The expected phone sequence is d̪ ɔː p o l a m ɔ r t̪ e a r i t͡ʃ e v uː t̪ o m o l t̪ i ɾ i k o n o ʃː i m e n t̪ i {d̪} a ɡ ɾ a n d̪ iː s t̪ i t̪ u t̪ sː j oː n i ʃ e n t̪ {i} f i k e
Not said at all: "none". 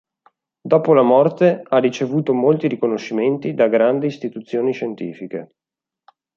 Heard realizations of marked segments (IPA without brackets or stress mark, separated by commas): d̪, iː